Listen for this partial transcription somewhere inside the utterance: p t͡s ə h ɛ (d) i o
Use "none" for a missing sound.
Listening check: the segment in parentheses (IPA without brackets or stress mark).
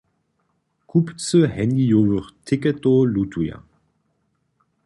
n